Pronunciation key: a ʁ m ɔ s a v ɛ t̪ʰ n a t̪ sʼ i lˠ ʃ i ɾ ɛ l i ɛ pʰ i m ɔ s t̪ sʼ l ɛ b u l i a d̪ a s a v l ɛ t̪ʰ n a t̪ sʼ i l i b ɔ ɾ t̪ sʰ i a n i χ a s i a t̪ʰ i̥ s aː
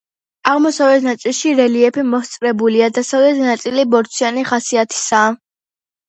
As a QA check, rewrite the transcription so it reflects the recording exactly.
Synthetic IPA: a ʁ m ɔ s a v ɛ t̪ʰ n a t̪ sʼ i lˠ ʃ i ɾ ɛ l i ɛ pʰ i m ɔ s t̪ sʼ ɾ ɛ b u l i a d̪ a s a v l ɛ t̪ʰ n a t̪ sʼ i l i b ɔ ɾ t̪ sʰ i a n i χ a s i a t̪ʰ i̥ s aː